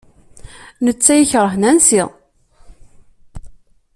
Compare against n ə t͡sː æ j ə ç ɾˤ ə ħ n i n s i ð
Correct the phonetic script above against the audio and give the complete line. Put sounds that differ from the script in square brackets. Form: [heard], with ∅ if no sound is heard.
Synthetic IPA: n ə t͡sː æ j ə ç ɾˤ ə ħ n [æ] n s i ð